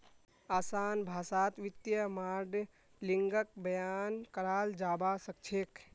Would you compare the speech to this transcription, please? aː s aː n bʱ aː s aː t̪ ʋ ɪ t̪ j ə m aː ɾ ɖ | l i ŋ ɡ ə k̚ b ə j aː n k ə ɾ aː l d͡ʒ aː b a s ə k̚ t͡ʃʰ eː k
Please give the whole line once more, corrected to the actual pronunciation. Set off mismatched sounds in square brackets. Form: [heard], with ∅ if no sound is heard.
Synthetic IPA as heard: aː s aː n bʱ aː s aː t̪ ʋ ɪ t̪ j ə m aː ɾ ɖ | l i ŋ ɡ ə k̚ b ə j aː n k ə ɾ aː l d͡ʒ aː b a s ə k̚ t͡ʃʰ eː k